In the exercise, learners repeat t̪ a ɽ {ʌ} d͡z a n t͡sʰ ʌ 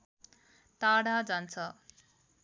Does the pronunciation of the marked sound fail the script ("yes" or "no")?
yes